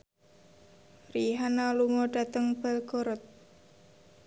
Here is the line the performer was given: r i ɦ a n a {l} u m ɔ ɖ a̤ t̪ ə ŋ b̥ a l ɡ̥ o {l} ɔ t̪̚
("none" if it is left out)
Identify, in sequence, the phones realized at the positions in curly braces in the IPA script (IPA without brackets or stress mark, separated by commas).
l, ɾ